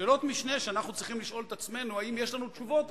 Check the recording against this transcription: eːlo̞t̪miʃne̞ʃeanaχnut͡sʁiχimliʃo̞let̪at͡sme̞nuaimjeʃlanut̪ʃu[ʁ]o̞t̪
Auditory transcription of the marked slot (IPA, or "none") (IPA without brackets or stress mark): v